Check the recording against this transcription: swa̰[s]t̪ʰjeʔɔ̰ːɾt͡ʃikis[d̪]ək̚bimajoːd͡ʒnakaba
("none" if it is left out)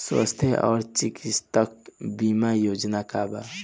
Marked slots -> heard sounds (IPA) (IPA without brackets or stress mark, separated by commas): s, t̪